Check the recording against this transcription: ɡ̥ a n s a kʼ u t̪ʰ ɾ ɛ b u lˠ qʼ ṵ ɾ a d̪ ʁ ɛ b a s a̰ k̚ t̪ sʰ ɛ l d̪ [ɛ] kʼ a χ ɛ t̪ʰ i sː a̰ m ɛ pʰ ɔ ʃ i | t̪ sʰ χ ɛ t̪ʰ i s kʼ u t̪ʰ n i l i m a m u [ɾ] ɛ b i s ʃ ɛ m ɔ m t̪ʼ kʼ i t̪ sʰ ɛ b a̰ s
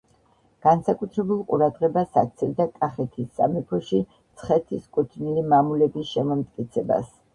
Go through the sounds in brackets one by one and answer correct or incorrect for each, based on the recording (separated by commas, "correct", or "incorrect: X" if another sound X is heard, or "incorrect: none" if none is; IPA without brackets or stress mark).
incorrect: a, incorrect: l